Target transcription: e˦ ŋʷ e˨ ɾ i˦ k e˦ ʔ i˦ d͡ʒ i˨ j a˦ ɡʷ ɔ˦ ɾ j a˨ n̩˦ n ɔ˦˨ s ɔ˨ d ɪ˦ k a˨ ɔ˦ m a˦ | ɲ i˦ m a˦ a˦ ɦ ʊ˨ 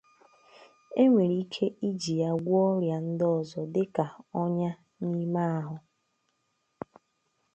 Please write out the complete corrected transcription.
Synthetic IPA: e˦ ŋʷ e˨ ɾ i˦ kʰ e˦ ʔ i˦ d͡ʒ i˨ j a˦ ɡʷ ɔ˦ ɾ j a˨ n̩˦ d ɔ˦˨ z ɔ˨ d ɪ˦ k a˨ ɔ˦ ɲ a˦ | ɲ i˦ m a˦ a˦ ɦ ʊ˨

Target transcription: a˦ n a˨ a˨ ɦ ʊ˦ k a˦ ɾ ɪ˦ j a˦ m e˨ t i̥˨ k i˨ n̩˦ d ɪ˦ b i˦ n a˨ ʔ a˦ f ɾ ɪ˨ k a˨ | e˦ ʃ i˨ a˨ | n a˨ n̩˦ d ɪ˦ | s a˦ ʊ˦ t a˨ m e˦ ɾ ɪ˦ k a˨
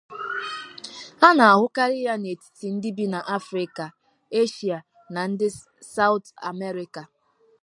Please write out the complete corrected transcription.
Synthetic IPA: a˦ n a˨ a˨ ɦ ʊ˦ k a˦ ɾ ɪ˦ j a˦ n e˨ t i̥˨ t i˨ n̩˦ d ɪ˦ b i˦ n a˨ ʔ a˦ f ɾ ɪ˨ k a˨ | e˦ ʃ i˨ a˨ | n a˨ n̩˦ d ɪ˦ | s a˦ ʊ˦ t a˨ m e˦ ɾ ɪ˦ k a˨

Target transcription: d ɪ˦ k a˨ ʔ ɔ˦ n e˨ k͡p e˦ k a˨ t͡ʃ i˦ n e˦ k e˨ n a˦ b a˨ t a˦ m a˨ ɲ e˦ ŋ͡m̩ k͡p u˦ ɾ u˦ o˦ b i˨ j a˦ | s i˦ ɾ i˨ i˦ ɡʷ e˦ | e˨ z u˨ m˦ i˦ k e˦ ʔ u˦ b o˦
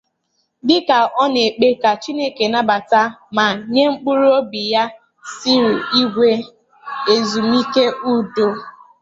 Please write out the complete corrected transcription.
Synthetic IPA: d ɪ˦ k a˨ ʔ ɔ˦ n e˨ k͡p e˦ k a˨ t͡ʃ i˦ n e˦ k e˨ n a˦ b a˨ t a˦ m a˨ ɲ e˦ ŋ͡m̩ k͡p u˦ ɾ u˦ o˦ b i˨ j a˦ | s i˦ ɾ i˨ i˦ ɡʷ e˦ | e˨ z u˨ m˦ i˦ k e˦ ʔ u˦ d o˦

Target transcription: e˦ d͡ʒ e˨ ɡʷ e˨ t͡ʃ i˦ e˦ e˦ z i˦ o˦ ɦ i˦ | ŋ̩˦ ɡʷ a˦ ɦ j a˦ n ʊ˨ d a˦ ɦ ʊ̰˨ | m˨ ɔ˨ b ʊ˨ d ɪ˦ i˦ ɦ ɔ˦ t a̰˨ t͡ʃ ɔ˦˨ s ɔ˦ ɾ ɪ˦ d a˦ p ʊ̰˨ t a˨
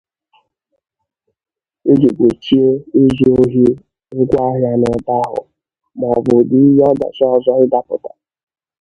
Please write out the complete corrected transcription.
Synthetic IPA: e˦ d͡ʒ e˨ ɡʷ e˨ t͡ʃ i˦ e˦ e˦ z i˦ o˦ ɦ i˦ | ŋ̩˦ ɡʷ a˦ ɦ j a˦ n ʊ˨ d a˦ ɦ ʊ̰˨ | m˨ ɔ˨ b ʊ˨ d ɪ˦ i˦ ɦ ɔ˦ d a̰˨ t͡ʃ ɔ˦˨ z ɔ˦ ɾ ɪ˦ d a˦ p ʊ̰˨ t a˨

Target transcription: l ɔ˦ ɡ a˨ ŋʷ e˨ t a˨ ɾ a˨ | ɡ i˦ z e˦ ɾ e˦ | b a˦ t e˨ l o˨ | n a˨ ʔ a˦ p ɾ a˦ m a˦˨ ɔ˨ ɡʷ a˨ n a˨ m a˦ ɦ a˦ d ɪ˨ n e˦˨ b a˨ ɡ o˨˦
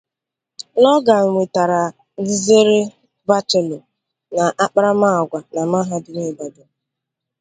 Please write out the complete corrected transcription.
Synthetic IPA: l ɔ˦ ɡ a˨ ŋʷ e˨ t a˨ ɾ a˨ | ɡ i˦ z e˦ ɾ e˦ | b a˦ t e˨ l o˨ | n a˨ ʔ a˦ k͡p ɾ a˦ m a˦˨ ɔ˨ ɡʷ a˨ n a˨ m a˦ ɦ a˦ d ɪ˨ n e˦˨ b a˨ d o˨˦

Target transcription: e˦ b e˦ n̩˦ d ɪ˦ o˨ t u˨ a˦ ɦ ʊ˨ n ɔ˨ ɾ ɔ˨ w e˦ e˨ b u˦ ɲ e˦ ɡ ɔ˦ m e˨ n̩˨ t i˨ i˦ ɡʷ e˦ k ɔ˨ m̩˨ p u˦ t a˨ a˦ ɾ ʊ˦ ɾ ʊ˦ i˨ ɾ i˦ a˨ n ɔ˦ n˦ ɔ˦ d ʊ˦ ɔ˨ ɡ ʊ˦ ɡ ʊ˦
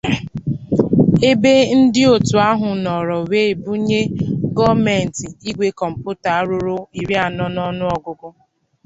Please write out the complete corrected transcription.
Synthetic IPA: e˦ b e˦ n̩˦ d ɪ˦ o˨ t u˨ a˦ ɦ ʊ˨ n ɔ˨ ɾ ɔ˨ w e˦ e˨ b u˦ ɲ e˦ ɡ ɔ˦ m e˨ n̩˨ t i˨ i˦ ɡʷ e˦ k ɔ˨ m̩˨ p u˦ t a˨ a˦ ɾ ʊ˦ ɾ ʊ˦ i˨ ɾ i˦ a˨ n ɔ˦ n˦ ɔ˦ n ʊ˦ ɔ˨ ɡ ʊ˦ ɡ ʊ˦

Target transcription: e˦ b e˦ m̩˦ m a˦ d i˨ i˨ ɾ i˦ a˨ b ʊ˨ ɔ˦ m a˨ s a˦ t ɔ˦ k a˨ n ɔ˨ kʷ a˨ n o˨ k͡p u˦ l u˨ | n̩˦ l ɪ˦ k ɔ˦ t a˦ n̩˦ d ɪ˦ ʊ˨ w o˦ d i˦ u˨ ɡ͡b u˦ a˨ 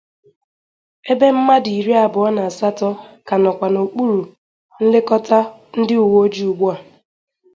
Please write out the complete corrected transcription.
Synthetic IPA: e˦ b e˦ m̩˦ m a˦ d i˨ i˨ ɾ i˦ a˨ b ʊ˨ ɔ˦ n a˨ s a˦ t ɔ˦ k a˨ n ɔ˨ kʷ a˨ n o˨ k͡p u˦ ɾ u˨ | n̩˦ l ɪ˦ k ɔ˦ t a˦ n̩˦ d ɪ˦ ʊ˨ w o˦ d͡ʒ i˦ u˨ ɡ͡b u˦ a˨

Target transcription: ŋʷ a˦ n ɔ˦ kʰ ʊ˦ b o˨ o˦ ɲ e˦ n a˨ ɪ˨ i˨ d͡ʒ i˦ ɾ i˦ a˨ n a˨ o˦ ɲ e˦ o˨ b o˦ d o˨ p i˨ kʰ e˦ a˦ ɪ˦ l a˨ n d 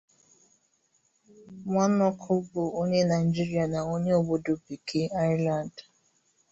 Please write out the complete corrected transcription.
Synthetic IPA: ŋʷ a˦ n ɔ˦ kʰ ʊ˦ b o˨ o˦ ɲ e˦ n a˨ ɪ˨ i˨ d͡ʒ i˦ ɾ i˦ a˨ n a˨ o˦ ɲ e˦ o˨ b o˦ d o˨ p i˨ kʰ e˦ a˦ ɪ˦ l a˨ n d

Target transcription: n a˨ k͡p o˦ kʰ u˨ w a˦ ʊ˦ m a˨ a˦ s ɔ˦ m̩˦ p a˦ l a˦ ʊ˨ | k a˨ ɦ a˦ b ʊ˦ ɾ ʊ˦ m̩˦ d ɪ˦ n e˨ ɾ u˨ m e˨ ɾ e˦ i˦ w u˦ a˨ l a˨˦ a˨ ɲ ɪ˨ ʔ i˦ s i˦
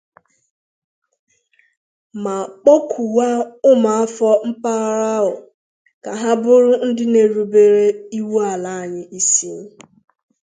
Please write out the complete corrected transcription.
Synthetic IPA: m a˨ k͡p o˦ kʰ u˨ w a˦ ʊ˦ m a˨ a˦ f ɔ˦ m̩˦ p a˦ ɾ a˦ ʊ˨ | k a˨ ɦ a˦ b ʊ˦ ɾ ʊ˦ n̩˦ d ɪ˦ n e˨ ɾ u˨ b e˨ ɾ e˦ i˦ w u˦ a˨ l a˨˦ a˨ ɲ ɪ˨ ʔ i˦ s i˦

